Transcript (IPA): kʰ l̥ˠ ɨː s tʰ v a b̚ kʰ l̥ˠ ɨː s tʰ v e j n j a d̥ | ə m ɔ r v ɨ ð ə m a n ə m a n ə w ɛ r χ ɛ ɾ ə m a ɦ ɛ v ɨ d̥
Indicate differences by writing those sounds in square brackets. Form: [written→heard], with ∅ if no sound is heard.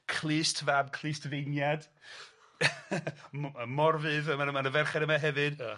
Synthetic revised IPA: kʰ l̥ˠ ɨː s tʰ v a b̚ kʰ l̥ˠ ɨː s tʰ v e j n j a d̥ | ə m ɔ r v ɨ ð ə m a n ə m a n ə [w→v] ɛ r χ ɛ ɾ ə m a ɦ ɛ v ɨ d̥